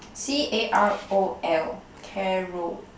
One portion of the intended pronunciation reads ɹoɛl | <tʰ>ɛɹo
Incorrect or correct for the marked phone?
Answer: incorrect: kʰ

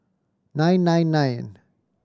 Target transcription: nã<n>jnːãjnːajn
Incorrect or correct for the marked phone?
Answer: incorrect: none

